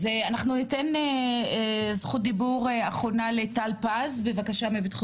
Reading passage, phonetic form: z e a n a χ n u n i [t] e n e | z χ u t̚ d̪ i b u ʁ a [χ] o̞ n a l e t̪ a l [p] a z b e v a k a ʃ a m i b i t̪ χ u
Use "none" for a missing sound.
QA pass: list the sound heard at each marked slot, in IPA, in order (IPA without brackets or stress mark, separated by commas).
t, χ, p